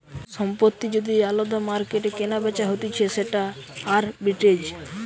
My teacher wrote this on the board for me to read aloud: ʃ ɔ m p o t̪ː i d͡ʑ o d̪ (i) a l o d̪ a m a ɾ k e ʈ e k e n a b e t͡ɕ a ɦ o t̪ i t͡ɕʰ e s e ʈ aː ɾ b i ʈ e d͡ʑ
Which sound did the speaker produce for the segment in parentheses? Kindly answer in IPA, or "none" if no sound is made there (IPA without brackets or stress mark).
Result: i